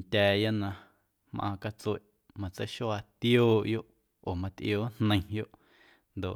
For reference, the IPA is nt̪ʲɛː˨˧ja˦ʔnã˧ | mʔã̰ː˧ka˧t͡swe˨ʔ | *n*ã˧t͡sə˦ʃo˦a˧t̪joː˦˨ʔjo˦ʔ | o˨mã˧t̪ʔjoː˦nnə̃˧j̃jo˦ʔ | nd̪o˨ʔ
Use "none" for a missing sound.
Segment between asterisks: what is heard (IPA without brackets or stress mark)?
m